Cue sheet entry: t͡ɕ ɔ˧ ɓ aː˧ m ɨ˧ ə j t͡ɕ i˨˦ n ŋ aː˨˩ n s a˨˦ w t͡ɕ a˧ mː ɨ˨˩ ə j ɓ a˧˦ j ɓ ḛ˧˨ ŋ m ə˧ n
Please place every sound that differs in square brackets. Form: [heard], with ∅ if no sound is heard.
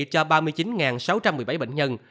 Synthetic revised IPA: t͡ɕ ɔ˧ ɓ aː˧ m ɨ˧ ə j t͡ɕ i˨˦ n ŋ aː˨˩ n s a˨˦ w t͡ɕ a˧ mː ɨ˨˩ ə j ɓ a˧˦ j ɓ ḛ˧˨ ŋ [ɲ] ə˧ n